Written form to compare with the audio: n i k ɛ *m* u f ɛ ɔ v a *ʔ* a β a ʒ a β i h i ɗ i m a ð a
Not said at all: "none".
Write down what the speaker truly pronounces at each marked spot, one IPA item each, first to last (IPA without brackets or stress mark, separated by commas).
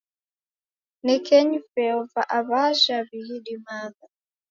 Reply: ɲ, ʔ